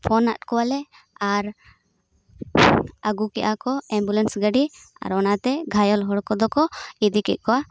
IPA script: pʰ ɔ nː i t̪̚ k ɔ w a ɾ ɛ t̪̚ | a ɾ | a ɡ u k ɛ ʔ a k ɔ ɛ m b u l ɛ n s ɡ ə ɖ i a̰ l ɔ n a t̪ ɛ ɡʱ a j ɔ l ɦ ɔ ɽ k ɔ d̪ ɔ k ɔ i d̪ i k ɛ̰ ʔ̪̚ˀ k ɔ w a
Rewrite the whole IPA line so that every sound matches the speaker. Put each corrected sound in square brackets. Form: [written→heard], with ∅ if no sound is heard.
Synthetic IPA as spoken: pʰ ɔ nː [i→a] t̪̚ k ɔ w a [ɾ→l] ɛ [t̪̚→∅] | a ɾ | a ɡ u k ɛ ʔ a k ɔ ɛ m b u l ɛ n s ɡ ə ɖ i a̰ [l→ɾ] ɔ n a t̪ ɛ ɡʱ a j ɔ l ɦ ɔ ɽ k ɔ d̪ ɔ k ɔ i d̪ i k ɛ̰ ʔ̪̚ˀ k ɔ w a

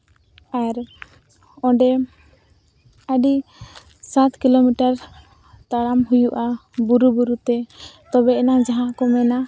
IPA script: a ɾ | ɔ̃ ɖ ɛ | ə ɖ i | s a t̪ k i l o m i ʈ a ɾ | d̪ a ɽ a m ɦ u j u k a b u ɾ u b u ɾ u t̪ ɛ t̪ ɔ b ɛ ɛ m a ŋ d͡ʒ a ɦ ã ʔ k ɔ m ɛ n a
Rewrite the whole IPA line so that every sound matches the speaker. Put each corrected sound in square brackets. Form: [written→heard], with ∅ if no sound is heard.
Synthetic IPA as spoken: a ɾ | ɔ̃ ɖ ɛ | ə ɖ i | s a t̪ k i l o m i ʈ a ɾ | [d̪→t̪] a ɽ a m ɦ u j u [k→ʔ] a b u ɾ u b u ɾ u t̪ ɛ t̪ ɔ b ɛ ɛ [m→n] a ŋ d͡ʒ a ɦ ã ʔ k ɔ m ɛ n a

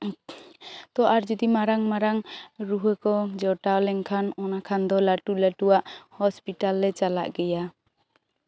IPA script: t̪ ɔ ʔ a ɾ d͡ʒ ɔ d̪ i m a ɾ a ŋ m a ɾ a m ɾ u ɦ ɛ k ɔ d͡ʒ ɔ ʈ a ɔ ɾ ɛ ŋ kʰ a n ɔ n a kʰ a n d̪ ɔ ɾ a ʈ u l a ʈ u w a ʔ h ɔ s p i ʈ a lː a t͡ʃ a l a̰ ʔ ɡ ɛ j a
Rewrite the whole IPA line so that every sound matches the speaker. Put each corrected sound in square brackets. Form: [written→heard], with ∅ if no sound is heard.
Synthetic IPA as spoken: t̪ ɔ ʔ a ɾ d͡ʒ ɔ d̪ i m a ɾ a ŋ m a ɾ a [m→ŋ] ɾ u ɦ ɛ k ɔ d͡ʒ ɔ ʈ a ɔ [ɾ→l] ɛ ŋ kʰ a n ɔ n a kʰ a n d̪ ɔ [ɾ→l] a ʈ u l a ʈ u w a ʔ h ɔ s p i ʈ a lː [a→ɛ] t͡ʃ a l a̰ ʔ ɡ ɛ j a

